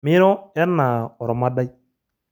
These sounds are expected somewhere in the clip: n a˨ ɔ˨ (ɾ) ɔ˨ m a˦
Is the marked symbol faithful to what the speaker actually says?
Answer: yes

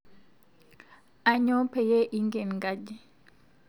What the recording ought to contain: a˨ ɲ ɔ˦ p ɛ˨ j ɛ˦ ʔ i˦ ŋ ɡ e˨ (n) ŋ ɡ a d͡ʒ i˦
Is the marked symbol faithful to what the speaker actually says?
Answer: yes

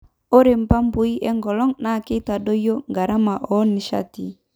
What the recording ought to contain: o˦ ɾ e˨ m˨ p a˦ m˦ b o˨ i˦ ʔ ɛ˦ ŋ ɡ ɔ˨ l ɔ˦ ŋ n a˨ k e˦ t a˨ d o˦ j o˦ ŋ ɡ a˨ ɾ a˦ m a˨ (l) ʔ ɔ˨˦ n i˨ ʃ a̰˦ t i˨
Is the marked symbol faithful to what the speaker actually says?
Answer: no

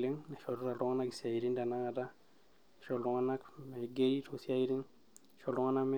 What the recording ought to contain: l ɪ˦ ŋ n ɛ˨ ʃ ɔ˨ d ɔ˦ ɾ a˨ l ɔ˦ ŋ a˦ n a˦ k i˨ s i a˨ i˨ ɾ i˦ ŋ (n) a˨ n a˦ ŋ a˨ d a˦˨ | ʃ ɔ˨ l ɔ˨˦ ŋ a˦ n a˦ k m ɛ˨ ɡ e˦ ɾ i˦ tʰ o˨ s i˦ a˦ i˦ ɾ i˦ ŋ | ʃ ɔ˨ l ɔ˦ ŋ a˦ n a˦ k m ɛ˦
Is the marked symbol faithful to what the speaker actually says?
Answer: no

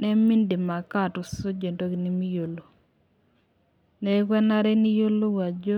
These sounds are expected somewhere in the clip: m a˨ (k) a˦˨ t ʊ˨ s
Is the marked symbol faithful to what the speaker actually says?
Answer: yes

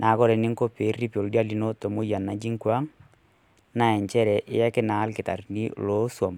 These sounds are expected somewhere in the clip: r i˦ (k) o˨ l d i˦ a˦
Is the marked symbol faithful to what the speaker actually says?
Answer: no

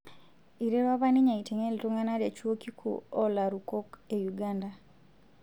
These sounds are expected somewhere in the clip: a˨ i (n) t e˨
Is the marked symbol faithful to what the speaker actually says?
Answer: no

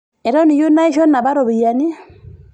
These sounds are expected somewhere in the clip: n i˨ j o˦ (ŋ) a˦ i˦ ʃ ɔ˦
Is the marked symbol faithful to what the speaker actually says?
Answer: no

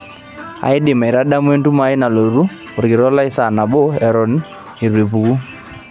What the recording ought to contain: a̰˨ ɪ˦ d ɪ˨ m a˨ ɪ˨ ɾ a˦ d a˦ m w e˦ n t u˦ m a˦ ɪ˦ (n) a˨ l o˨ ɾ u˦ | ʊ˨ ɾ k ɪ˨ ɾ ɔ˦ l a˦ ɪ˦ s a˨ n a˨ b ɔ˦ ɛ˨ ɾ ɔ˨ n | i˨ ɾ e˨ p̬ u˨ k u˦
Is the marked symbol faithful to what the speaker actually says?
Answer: yes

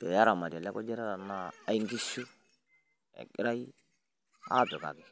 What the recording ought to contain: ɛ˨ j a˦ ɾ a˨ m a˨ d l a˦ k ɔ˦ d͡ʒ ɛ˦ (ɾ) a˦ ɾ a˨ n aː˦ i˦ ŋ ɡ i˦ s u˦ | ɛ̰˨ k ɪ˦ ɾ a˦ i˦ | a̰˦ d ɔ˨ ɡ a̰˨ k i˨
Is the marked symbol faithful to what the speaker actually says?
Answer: yes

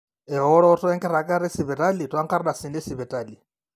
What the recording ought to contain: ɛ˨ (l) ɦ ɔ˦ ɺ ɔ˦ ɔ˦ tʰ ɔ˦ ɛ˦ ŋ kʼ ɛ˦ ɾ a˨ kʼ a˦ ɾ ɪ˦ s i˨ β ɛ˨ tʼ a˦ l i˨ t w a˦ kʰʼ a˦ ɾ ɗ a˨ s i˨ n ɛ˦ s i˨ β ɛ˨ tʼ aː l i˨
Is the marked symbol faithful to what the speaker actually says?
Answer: no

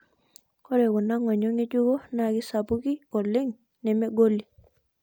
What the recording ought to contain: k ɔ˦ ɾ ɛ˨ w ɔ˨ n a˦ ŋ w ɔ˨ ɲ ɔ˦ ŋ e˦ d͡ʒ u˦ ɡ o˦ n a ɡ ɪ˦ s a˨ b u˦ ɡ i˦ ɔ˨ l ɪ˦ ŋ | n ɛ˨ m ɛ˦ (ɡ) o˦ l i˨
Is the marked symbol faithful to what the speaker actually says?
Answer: yes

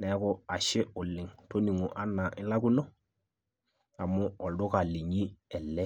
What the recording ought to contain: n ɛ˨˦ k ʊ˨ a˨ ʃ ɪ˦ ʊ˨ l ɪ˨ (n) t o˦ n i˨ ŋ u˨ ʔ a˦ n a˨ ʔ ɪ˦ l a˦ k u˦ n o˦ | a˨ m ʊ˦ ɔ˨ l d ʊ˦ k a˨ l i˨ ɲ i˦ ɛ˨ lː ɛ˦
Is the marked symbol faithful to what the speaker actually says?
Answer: no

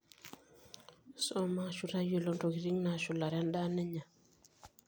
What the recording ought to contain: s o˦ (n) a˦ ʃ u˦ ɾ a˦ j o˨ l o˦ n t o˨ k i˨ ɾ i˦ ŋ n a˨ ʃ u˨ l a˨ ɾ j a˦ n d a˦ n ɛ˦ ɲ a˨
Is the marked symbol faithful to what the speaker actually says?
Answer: no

